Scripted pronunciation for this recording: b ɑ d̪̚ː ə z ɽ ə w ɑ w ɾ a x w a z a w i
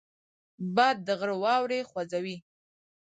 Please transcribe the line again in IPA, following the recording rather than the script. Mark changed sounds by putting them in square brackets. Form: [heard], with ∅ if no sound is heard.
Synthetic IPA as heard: b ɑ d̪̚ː ə [ɣ] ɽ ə w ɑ w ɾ [e] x w a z a w i